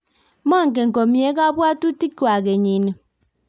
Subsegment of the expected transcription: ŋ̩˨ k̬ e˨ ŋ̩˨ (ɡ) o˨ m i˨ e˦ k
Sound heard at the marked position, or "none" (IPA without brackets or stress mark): k